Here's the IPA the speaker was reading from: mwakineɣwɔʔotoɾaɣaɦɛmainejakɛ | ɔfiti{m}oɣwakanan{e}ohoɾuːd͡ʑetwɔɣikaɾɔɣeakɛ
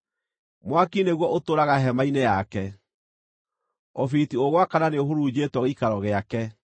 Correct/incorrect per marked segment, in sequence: incorrect, correct

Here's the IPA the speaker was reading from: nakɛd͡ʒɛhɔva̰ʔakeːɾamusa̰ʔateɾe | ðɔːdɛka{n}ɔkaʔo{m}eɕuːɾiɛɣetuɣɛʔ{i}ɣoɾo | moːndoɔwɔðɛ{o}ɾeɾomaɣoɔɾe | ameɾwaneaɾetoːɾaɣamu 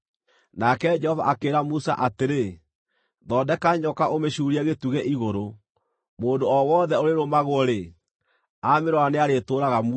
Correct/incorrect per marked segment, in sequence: incorrect, correct, correct, correct

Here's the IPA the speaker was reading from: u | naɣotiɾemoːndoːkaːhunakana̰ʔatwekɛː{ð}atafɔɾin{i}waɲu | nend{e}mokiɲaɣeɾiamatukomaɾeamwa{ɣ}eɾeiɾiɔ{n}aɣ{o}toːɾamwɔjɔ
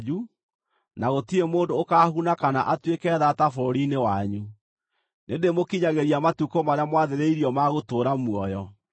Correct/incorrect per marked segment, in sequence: correct, incorrect, correct, incorrect, incorrect, correct

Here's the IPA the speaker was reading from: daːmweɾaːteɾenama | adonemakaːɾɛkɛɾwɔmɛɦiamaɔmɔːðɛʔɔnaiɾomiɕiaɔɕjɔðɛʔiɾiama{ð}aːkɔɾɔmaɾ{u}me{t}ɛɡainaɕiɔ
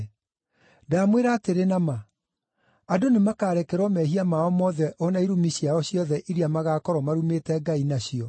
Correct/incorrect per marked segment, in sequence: incorrect, correct, correct

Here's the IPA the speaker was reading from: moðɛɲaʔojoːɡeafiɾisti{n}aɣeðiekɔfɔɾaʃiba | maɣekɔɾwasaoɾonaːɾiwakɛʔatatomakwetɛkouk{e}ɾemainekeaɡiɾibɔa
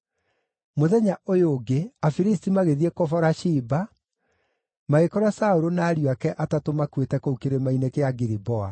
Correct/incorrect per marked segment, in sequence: incorrect, correct

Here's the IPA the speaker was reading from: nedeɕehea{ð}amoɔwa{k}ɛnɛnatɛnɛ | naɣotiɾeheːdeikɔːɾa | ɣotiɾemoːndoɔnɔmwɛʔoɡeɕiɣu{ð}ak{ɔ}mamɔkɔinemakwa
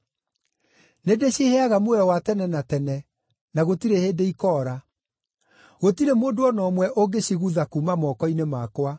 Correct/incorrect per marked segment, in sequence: incorrect, incorrect, correct, incorrect

